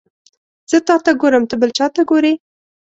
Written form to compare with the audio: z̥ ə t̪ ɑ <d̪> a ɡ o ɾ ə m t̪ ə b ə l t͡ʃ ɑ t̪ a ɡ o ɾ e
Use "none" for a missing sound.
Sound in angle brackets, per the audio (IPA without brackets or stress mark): t̪